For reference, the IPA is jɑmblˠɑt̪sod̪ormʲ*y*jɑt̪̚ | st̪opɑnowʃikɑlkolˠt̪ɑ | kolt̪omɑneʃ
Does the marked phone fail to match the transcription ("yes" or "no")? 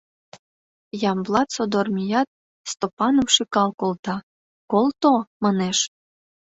yes